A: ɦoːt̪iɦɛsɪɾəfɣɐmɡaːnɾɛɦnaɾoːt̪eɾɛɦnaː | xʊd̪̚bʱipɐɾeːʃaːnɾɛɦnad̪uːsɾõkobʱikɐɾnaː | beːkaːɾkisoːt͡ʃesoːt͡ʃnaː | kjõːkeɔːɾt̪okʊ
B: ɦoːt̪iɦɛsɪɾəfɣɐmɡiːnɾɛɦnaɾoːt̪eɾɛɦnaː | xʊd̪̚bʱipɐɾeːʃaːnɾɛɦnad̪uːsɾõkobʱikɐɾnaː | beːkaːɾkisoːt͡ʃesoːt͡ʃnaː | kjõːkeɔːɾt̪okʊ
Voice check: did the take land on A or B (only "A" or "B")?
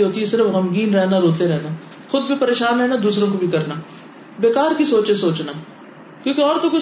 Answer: B